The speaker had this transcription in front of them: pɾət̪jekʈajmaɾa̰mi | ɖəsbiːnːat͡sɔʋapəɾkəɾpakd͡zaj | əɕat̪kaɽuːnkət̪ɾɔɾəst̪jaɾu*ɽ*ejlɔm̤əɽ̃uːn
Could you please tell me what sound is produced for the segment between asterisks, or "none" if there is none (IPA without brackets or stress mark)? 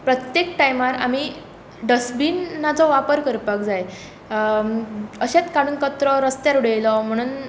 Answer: ɽ